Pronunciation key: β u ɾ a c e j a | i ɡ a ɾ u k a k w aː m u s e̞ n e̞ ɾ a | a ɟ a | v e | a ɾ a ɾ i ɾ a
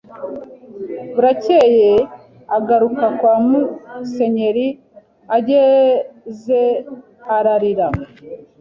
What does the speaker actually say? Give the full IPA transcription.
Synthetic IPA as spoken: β u ɾ a c e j e | a ɡ a ɾ u k a k w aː m u s e̞ ɲ e̞ ɾ i | a ɟ e | z e | a ɾ a ɾ i ɾ a